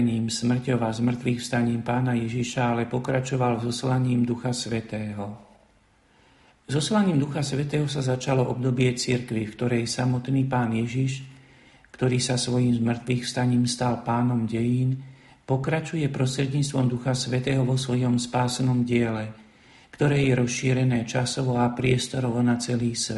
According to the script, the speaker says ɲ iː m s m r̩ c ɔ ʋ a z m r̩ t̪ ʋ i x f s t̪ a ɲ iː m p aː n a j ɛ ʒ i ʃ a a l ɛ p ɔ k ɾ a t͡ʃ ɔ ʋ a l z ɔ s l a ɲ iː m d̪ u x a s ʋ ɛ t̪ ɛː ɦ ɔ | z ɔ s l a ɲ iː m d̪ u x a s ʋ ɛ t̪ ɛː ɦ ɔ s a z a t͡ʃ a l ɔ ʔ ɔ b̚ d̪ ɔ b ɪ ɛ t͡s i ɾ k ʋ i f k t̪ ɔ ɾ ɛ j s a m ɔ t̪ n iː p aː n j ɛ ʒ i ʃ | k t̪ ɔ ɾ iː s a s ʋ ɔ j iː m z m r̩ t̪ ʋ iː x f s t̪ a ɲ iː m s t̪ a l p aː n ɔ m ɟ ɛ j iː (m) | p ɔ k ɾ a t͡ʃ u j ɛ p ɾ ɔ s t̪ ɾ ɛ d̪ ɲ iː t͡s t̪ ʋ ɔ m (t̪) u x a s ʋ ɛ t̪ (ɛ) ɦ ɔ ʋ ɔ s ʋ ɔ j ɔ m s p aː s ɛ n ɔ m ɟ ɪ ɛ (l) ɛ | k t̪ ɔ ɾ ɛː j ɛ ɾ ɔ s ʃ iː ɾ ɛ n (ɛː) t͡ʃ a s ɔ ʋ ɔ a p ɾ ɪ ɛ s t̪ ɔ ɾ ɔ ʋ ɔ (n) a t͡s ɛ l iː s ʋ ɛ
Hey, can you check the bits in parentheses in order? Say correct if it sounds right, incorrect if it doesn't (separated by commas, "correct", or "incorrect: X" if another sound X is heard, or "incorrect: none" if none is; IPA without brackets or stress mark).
incorrect: n, incorrect: d̪, incorrect: ɛː, correct, correct, correct